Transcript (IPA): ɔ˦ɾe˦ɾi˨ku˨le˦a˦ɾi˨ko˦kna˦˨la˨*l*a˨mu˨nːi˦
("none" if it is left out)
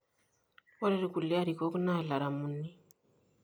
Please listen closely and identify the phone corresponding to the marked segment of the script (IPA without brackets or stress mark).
ɾ